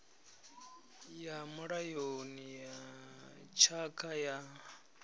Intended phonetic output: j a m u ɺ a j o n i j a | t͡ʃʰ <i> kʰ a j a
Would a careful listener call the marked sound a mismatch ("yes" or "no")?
yes